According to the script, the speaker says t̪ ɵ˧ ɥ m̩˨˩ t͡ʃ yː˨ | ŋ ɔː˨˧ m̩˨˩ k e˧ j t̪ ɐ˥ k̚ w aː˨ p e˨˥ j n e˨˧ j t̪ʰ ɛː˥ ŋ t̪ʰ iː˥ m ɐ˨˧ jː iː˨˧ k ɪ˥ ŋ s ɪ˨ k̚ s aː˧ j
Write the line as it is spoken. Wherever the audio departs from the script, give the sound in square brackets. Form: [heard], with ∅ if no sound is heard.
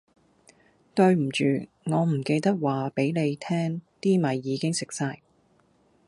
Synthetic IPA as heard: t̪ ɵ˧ ɥ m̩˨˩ t͡ʃ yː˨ | ŋ ɔː˨˧ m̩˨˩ k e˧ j t̪ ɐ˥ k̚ w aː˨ p e˨˥ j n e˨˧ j t̪ʰ ɛː˥ ŋ [t̪] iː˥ m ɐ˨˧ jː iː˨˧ k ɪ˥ ŋ s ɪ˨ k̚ s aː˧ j